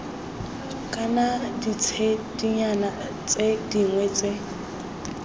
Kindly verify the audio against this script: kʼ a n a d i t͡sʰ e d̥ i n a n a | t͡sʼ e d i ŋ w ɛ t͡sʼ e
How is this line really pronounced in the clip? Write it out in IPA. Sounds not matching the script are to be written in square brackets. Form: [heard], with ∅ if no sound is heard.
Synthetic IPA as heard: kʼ a n a d i t͡sʰ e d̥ i [ɲ] a n a | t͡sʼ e d i ŋ w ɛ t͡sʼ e